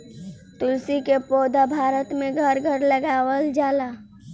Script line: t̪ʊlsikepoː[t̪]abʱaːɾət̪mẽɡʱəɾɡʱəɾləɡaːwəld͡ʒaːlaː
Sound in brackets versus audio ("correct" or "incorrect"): incorrect